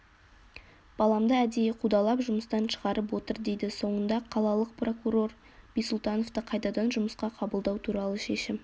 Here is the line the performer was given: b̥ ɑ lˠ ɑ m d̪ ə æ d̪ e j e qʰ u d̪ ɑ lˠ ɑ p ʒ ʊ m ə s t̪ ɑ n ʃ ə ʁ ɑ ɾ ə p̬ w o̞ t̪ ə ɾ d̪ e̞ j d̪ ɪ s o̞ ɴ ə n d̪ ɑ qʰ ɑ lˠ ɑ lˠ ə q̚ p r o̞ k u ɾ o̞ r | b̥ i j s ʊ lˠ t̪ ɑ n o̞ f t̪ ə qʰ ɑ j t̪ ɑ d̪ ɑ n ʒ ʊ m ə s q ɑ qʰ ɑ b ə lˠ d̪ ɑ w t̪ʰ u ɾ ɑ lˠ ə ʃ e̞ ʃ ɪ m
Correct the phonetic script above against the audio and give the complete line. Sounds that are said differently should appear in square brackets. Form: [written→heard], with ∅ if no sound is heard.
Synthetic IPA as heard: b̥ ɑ lˠ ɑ m d̪ ə æ d̪ e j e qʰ u d̪ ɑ lˠ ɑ p ʒ ʊ m ə s t̪ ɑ n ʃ ə ʁ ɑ ɾ ə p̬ w o̞ t̪ ə ɾ d̪ e̞ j d̪ ɪ s o̞ ɴ ə n d̪ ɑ qʰ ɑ lˠ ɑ lˠ ə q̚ p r o̞ k u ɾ o̞ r | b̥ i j s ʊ lˠ t̪ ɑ n o̞ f t̪ ə qʰ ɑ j t̪ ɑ d̪ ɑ n ʒ ʊ m ə s q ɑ qʰ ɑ b ə lˠ d̪ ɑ w t̪ʰ u ɾ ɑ lˠ ə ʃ e̞ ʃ ɪ m